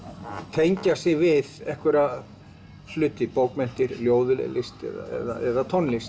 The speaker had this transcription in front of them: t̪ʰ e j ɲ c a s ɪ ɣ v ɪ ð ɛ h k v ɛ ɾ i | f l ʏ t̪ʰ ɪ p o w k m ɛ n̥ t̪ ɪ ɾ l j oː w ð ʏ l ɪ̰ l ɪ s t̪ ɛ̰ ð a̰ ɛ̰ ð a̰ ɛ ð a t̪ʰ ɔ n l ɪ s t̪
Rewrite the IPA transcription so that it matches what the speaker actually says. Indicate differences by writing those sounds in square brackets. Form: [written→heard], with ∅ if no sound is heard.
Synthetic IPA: t̪ʰ e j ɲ c a s ɪ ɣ v ɪ ð ɛ h k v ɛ ɾ [i→a] | f l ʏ [t̪ʰ→t̪] ɪ p o w k m ɛ n̥ t̪ ɪ ɾ l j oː w ð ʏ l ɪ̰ l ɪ s t̪ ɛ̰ ð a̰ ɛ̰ ð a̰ ɛ ð a t̪ʰ ɔ n l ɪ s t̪